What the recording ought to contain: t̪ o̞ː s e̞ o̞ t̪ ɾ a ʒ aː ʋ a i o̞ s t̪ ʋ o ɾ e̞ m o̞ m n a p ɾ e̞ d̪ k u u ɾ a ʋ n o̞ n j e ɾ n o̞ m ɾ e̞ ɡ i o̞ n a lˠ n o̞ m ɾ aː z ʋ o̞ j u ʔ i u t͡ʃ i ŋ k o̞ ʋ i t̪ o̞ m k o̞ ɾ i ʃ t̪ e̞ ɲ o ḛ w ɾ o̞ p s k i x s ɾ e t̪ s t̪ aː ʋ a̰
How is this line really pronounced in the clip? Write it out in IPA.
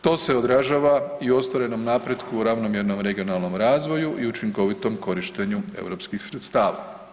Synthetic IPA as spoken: t̪ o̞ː s e̞ o̞ d̪ ɾ a ʒ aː ʋ a i o̞ s t̪ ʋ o ɾ e̞ n o̞ m n a p ɾ e̞ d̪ k u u ɾ a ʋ n o̞ m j e ɾ n o̞ m ɾ e̞ ɡ i o̞ n a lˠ n o̞ m ɾ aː z ʋ o̞ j u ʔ i u t͡ʃ i ŋ k o̞ ʋ i t̪ o̞ m k o̞ ɾ i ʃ t̪ e̞ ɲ u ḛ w ɾ o̞ p s k i x s ɾ e t̪ s t̪ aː ʋ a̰